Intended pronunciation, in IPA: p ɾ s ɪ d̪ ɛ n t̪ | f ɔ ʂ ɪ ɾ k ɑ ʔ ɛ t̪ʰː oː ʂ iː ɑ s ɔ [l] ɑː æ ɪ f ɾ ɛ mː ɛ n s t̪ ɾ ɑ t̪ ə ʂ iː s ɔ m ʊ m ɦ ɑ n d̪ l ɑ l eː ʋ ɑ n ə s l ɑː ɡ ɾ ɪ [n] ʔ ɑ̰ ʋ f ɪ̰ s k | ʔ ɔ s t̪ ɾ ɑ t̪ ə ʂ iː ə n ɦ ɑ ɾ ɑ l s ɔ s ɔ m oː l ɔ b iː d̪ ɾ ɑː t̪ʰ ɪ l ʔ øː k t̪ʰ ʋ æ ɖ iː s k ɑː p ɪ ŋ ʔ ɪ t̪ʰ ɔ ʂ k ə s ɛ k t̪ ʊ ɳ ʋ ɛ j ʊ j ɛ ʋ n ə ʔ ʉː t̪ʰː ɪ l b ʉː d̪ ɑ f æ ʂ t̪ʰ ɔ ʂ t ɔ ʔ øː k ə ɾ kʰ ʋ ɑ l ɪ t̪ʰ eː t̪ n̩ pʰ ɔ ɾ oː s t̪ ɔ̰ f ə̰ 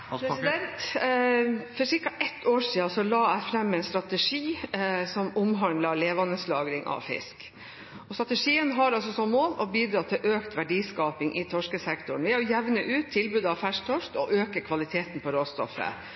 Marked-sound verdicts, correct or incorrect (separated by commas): correct, incorrect